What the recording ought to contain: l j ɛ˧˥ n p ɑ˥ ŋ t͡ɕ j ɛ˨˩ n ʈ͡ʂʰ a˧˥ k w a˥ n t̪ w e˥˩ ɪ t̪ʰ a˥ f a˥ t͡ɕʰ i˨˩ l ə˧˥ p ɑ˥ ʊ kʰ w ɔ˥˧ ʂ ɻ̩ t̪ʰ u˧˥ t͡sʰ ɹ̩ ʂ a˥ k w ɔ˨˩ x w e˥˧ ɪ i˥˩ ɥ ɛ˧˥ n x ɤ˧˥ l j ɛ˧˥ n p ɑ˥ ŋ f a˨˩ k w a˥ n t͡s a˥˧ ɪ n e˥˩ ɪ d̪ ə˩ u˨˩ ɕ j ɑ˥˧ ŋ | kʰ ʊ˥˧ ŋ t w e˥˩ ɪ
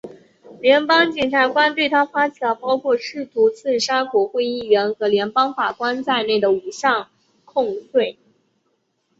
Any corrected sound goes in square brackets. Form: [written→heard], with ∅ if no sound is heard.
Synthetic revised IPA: l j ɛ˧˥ n p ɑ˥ ŋ t͡ɕ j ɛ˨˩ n ʈ͡ʂʰ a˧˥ k w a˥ n t̪ w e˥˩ ɪ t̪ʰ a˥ f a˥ t͡ɕʰ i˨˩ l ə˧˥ p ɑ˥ ʊ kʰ w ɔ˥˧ ʂ ɻ̩ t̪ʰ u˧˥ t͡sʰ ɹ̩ ʂ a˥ k w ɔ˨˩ x w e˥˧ ɪ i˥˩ ɥ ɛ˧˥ n x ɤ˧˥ l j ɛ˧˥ n p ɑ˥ ŋ f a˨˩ k w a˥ n t͡s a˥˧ ɪ n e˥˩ ɪ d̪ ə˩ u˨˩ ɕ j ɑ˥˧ ŋ | kʰ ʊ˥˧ ŋ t w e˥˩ ɪ